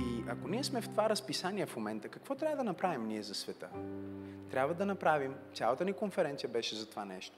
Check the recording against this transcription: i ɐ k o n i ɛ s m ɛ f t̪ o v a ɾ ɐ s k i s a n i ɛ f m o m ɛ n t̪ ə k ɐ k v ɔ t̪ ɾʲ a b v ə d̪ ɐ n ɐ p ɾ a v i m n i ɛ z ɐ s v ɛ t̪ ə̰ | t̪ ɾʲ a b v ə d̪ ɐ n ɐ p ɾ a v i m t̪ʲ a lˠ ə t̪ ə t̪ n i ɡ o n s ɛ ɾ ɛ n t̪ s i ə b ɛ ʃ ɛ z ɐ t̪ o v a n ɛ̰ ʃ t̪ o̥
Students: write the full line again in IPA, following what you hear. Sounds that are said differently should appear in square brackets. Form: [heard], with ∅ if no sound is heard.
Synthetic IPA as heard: i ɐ k o n i ɛ s m ɛ f t̪ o v a ɾ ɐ s [p] i s a n i ɛ f m o m ɛ n t̪ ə k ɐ k v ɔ t̪ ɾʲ a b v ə d̪ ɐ n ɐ p ɾ a v i m n i ɛ z ɐ s v ɛ t̪ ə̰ | t̪ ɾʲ a b v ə d̪ ɐ n ɐ p ɾ a v i m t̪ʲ a lˠ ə t̪ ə [∅] n i [k] o n [f] ɛ ɾ ɛ n t̪ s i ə b ɛ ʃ ɛ z ɐ t̪ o v a n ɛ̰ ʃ t̪ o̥